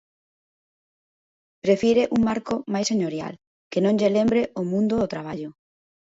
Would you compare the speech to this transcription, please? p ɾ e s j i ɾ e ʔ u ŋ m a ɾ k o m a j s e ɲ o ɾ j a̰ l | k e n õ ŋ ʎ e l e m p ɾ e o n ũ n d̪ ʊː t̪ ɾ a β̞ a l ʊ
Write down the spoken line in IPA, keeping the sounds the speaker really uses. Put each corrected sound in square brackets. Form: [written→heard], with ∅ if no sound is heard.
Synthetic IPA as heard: p ɾ e [s→f] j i ɾ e ʔ u ŋ m a ɾ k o m a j s e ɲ o ɾ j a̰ l | k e n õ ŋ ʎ e l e m [p→b] ɾ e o [n→m] ũ n d̪ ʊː t̪ ɾ a β̞ a [l→ʎ] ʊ